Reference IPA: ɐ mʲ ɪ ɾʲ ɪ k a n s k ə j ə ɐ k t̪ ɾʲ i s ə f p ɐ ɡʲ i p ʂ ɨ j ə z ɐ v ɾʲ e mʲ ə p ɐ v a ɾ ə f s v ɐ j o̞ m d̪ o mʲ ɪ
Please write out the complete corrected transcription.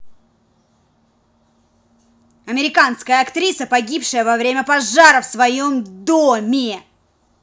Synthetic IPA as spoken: ɐ mʲ ɪ ɾʲ ɪ k a n s k ə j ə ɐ k t̪ ɾʲ i s ə p ɐ ɡʲ i p ʂ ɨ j ə v ɐ v ɾʲ e mʲ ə p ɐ ʐ a ɾ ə f s v ɐ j o̞ m d̪ o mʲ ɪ